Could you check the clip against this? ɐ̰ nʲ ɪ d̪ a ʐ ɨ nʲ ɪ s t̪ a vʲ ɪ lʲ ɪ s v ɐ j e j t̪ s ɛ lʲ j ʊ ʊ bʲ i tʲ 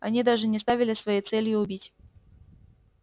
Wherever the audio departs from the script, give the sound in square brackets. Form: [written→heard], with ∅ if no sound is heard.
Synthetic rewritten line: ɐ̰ nʲ [ɪ→i] d̪ a ʐ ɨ nʲ ɪ s t̪ a vʲ ɪ lʲ ɪ s v ɐ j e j t̪ s ɛ lʲ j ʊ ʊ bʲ i tʲ